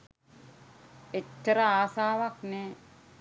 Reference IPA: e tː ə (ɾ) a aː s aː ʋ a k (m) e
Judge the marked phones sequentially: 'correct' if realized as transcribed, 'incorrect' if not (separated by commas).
correct, incorrect